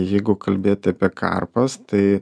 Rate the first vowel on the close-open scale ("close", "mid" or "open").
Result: mid